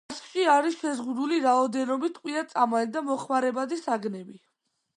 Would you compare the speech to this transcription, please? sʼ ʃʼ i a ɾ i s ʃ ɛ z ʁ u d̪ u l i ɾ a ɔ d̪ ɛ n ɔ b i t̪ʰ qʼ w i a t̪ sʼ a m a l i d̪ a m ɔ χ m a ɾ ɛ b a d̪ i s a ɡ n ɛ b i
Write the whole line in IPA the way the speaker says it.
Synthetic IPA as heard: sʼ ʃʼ i a ɾ i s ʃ ɛ z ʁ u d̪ u l i ɾ a ɔ d̪ ɛ n ɔ b i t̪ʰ qʼ w i a t̪ sʼ a m a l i d̪ a m ɔ χ m a ɾ ɛ b a d̪ i s a ɡ n ɛ b i